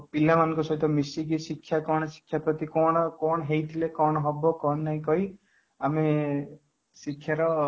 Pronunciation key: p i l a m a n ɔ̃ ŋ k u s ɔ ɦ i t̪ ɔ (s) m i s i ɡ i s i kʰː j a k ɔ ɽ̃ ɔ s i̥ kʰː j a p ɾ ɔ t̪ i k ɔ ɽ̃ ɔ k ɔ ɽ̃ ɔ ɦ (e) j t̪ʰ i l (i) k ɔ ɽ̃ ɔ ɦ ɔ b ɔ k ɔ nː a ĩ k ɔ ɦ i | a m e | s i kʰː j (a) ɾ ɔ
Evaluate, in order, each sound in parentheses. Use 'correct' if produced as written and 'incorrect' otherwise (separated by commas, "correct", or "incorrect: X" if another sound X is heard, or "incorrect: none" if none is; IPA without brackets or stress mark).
incorrect: none, correct, incorrect: e, correct